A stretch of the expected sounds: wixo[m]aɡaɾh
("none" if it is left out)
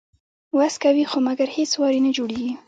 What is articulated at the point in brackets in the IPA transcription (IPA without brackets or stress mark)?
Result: m